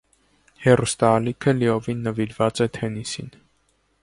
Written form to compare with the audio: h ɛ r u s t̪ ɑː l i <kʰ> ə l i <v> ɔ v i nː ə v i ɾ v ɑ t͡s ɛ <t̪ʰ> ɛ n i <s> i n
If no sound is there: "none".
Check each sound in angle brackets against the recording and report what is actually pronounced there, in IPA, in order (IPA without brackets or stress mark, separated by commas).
kʰ, none, t̪ʰ, s